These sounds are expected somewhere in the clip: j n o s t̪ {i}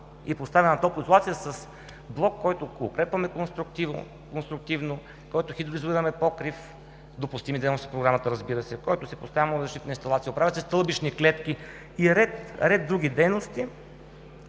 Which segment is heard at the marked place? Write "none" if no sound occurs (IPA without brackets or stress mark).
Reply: i